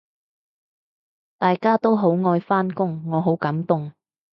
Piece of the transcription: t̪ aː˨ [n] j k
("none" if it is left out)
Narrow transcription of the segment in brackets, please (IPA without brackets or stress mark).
none